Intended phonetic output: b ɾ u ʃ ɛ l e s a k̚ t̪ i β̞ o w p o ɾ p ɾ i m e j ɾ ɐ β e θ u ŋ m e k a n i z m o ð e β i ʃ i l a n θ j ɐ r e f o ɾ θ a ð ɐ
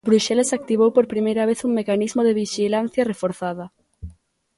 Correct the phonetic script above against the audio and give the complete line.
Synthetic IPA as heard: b ɾ u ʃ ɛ l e s a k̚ t̪ i β̞ o w p o ɾ p ɾ i m e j ɾ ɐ β e θ u ŋ m e k a n i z m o ð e β i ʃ i l a n θ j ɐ r e f o ɾ θ a ð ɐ